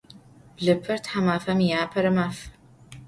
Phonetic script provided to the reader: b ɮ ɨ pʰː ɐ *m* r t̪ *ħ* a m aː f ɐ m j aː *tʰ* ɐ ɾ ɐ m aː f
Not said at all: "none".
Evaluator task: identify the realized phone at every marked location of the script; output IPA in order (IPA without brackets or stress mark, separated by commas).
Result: none, ħ, pʰ